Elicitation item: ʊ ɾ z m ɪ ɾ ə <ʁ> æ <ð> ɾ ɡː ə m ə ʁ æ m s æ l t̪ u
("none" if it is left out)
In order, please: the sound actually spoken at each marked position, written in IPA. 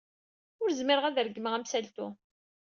ʁ, ð

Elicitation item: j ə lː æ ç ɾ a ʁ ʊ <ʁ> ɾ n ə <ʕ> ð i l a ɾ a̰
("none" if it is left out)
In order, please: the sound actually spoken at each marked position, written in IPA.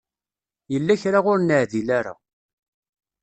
none, ʕ

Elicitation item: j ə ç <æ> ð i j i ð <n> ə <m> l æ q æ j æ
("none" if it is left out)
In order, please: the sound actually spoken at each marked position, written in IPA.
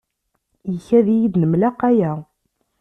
æ, n, m

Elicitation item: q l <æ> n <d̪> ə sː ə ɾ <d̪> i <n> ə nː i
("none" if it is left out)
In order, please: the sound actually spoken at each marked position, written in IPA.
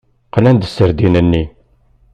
æ, d̪, d̪, n

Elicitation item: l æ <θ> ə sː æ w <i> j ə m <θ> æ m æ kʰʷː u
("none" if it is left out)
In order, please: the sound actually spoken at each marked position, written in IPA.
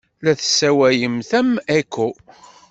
θ, æ, θ

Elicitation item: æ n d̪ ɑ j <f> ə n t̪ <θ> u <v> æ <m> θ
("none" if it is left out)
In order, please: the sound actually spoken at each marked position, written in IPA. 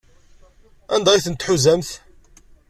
θ, ħ, z, m

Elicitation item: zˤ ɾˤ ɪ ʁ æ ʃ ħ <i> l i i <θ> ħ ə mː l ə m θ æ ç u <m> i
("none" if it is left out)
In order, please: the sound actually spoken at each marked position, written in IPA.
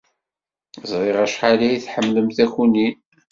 a, θ, n

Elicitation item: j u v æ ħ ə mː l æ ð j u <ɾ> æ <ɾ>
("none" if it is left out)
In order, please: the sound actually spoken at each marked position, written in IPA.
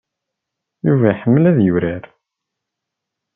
ɾ, ɾ

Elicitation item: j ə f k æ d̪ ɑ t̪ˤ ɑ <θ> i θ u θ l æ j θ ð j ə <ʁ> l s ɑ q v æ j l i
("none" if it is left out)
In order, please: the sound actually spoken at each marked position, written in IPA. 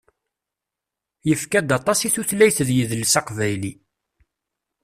s, ð

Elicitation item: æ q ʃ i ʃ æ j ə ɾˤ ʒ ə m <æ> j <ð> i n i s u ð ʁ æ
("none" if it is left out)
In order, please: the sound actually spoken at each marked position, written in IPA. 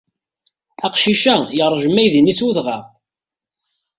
æ, ð

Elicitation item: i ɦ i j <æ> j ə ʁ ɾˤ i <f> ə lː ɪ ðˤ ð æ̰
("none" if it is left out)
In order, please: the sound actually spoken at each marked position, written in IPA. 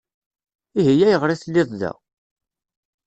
æ, θ

